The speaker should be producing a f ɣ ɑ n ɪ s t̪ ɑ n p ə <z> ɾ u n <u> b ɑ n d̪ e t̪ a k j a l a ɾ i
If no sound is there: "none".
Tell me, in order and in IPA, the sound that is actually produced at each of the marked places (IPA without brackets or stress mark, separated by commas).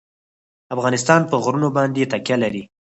ɣ, o